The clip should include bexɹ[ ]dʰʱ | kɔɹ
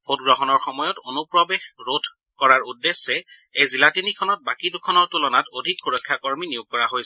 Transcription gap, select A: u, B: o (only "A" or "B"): B